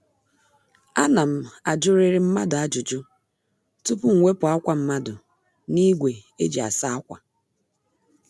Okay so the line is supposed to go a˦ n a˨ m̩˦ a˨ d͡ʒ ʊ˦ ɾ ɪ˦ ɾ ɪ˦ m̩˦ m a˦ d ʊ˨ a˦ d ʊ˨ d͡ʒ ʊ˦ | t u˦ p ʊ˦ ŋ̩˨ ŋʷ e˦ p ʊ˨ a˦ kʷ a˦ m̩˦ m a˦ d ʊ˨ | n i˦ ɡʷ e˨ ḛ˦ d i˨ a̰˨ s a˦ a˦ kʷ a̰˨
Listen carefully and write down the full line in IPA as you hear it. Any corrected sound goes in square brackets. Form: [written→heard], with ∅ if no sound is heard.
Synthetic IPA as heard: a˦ n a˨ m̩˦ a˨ d͡ʒ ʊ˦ ɾ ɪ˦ ɾ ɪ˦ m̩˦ m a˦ d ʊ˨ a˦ [d→d͡ʒ] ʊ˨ d͡ʒ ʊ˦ | t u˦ p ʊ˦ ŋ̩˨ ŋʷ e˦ p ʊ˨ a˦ kʷ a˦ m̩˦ m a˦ d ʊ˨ | n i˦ ɡʷ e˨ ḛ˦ [d→d͡ʒ] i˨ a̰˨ s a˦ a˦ kʷ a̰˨